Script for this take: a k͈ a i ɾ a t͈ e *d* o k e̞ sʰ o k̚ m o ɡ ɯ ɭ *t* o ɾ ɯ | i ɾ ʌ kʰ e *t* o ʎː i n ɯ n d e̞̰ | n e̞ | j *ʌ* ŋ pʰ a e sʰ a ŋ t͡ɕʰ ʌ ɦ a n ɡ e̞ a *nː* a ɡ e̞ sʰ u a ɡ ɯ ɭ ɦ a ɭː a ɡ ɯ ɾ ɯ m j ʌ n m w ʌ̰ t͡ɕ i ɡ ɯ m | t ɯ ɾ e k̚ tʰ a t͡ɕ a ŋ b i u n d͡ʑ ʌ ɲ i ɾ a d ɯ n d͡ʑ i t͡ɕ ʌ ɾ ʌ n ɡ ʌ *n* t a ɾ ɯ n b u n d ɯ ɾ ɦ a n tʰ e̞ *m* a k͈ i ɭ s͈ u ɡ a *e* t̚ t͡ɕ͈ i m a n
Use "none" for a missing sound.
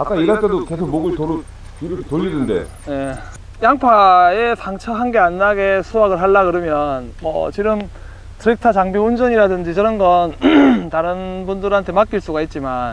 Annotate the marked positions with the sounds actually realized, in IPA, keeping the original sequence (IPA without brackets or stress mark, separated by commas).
d, t, t, a, nː, n, m, i